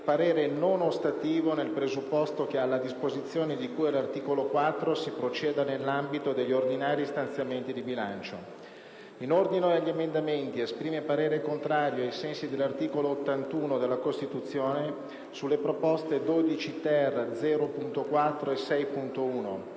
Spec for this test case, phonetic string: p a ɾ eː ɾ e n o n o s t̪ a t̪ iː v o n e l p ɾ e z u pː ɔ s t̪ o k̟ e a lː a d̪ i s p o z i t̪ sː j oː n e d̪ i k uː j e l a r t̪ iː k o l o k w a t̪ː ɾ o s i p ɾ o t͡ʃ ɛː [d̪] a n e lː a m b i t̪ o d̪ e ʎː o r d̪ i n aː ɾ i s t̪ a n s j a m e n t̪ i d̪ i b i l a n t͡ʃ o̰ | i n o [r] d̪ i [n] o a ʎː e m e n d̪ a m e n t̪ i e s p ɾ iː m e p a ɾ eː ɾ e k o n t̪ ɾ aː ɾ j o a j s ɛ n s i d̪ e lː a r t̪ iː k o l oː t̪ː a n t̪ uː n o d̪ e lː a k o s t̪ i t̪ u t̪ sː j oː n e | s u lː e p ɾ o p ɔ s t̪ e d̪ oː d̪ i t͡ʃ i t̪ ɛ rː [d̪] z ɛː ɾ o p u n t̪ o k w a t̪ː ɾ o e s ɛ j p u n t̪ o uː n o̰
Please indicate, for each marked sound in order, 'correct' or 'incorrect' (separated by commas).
correct, correct, correct, correct